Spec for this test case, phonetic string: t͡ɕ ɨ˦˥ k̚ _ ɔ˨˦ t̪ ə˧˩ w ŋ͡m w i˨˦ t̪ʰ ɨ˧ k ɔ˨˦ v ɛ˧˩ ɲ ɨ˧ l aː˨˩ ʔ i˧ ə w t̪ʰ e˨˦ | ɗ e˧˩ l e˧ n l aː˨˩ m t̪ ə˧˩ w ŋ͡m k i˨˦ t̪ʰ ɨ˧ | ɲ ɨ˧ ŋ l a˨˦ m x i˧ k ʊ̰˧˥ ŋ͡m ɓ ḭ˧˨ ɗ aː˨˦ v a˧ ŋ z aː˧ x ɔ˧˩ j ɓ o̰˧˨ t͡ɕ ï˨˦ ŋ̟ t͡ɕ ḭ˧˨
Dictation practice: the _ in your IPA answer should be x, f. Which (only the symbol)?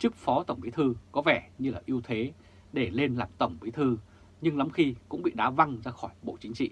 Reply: f